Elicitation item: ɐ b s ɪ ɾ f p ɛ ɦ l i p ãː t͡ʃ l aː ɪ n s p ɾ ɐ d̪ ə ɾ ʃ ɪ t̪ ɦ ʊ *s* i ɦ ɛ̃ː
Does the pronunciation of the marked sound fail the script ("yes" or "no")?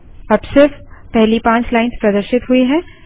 yes